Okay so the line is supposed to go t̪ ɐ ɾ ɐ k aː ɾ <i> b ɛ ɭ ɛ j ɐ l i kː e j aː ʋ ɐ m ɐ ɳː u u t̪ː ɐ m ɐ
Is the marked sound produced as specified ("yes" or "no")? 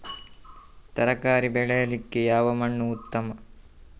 yes